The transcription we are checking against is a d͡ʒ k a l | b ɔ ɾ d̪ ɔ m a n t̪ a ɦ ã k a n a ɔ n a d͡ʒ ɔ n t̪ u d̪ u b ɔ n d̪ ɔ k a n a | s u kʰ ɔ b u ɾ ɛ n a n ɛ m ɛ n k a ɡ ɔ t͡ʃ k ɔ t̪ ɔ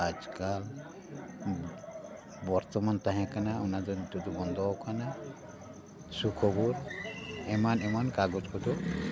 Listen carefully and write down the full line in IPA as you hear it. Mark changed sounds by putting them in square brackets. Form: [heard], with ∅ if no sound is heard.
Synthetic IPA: a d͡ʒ k a l | b ɔ ɾ [t̪] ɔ m a n t̪ a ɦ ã k a n a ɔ n a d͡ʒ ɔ n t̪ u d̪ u b ɔ n d̪ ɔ k a n a | s u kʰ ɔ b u ɾ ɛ [m] a n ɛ m [a] n k a ɡ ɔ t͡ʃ k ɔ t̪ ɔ